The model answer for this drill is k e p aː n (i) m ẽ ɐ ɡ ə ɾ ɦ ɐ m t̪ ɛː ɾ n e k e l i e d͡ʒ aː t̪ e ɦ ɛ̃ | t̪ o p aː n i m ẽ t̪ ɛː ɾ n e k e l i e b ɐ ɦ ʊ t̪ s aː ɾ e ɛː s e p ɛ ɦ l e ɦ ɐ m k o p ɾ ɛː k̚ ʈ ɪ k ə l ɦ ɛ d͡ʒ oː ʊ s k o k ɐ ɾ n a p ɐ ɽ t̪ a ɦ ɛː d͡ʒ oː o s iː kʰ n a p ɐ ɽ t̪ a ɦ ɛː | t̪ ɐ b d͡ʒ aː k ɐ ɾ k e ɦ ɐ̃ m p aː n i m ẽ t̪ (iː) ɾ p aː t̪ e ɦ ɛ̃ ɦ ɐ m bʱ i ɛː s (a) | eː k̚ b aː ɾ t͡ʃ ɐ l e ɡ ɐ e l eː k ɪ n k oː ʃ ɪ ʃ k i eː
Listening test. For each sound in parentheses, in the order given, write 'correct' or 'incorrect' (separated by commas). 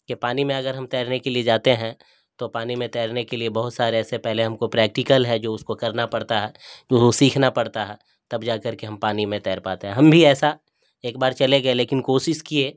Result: correct, incorrect, correct